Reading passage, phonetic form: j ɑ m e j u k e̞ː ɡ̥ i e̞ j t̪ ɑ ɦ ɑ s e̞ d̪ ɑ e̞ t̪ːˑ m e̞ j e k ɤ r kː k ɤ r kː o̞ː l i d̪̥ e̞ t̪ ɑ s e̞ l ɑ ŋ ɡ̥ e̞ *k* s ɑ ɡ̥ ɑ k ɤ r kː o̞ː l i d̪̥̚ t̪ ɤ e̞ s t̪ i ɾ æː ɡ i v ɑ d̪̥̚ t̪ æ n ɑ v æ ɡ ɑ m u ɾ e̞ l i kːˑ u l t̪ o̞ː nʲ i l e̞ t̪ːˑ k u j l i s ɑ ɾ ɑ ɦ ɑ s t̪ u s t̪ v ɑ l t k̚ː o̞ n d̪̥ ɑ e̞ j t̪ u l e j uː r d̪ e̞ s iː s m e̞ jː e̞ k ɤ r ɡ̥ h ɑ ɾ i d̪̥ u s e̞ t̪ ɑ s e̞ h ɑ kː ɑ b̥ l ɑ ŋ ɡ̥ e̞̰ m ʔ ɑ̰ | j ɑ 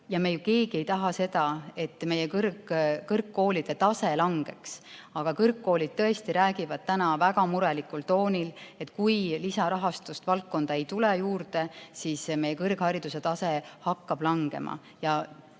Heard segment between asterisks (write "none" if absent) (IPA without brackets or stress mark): k